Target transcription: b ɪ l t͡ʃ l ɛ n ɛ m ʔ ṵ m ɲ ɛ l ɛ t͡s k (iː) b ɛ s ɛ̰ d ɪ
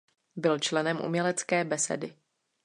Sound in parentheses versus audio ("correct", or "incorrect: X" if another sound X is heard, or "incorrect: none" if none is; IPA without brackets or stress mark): incorrect: ɛː